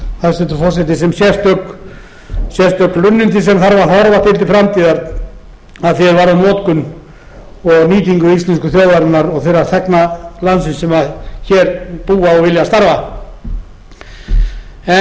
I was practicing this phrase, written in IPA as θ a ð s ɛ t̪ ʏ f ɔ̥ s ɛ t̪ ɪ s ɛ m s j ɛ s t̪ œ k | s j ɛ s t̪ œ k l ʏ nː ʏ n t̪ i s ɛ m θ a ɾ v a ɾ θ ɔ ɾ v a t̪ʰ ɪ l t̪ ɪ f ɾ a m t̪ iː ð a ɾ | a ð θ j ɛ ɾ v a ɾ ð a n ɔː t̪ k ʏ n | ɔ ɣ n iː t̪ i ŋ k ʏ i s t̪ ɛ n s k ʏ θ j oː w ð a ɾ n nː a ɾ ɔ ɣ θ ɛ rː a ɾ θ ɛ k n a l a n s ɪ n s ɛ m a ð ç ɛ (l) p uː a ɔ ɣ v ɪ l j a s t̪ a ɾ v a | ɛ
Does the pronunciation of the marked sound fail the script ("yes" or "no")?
yes